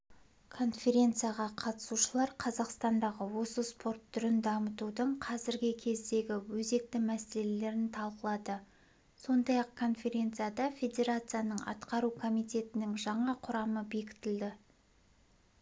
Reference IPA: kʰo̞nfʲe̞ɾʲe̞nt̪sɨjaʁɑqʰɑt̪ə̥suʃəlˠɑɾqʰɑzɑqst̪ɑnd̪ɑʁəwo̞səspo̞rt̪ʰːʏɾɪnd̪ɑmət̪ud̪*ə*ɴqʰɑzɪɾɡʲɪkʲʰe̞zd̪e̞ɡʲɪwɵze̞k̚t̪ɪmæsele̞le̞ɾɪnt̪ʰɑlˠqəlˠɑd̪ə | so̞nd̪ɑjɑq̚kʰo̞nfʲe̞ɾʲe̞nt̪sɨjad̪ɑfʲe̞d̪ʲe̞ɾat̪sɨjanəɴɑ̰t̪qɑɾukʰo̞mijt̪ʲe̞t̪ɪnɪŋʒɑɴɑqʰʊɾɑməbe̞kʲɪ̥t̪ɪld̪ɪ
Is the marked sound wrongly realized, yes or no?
no